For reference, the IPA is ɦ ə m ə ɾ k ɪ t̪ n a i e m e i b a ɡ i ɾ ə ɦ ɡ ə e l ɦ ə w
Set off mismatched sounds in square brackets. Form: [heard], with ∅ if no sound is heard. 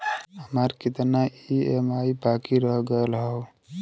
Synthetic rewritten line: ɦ ə m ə ɾ k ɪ t̪ n a i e m [a] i b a [k] i ɾ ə ɦ ɡ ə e l ɦ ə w